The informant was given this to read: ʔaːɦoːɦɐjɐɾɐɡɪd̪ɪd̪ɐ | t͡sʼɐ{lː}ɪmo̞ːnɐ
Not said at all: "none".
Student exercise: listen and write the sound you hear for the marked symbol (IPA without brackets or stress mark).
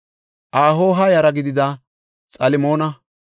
l